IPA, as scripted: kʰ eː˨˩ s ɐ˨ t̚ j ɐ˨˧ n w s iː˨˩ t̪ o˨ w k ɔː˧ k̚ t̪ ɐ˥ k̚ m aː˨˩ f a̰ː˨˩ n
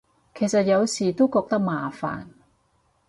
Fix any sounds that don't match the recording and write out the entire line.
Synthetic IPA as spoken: kʰ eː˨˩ s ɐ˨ t̚ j ɐ˨˧ w s iː˨˩ t̪ o˥ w k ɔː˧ k̚ t̪ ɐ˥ k̚ m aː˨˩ f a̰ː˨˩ n